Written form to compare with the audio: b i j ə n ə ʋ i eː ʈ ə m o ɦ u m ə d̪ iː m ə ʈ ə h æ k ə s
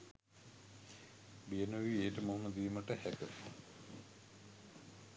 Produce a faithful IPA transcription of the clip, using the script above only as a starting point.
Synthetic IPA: b i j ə n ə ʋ i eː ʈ ə m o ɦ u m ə d̪ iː m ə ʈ ə h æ k ə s